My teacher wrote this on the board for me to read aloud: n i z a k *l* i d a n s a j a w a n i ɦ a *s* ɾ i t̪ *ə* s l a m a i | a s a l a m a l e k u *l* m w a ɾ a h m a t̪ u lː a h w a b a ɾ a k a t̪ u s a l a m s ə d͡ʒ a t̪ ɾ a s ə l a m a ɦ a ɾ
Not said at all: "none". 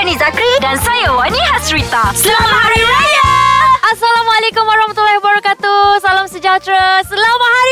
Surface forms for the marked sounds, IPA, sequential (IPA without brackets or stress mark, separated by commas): ɾ, s, a, none